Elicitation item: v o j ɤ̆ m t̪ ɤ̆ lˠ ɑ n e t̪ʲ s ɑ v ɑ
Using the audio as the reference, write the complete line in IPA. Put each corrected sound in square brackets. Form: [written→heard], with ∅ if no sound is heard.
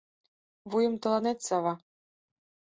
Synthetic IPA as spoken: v [o→u] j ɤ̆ m t̪ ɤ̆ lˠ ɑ n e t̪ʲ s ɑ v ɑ